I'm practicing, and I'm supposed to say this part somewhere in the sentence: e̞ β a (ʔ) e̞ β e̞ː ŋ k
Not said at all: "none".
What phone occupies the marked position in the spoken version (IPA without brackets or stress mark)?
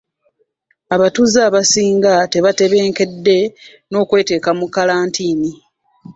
t